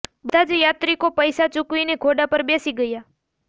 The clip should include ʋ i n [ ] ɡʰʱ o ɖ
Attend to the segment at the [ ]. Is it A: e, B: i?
A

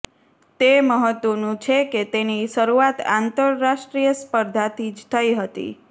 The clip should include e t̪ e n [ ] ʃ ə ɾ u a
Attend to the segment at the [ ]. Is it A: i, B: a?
A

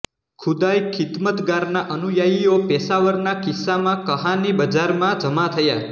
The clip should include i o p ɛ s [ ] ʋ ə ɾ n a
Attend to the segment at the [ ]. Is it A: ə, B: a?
B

